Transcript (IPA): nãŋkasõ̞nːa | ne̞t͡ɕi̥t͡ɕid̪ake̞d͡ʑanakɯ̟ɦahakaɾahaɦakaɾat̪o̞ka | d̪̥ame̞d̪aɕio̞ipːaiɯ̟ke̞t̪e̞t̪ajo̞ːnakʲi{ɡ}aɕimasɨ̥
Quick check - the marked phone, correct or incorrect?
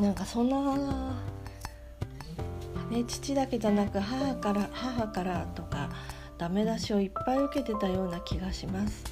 correct